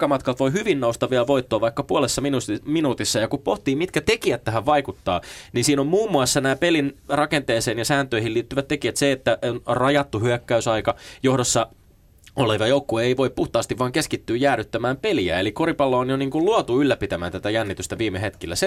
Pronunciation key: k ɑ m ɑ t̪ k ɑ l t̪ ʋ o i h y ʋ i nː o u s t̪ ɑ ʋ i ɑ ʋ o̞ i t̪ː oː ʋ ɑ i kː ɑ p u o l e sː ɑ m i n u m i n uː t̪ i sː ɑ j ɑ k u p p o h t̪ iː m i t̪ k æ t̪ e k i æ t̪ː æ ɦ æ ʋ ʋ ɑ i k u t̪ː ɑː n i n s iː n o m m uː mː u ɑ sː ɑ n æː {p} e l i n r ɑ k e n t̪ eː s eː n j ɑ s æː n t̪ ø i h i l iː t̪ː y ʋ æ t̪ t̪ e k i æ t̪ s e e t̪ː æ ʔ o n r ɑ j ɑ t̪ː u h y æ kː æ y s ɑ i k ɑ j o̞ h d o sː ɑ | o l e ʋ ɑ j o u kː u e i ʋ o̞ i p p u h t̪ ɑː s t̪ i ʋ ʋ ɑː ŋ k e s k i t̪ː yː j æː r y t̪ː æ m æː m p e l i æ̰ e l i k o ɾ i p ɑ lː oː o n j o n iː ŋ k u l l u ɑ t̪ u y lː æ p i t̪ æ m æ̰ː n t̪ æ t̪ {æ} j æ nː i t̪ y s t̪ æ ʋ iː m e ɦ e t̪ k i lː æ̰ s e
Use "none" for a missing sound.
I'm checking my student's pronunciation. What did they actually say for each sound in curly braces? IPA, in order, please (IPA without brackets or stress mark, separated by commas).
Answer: p, æ